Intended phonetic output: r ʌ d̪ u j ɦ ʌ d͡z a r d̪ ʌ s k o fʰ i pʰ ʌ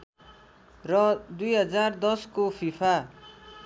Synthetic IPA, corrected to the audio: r ʌ d̪ u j ɦ ʌ d͡z a r d̪ ʌ s k o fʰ i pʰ a